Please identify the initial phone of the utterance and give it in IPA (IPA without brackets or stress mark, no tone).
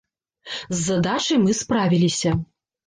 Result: zː